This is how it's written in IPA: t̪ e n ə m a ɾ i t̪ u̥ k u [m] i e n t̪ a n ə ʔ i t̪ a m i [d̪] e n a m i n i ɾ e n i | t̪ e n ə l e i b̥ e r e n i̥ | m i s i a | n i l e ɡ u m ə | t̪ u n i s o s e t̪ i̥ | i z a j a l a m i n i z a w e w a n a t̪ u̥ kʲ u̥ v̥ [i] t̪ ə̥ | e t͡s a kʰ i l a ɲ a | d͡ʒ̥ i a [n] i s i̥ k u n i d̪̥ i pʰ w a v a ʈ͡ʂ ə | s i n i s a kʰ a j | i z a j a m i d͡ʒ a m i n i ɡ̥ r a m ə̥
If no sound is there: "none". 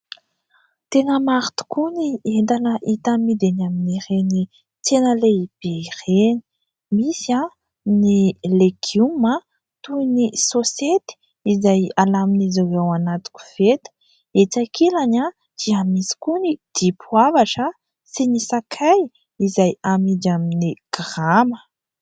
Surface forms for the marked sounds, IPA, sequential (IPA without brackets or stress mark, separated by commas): n, d̪, e, m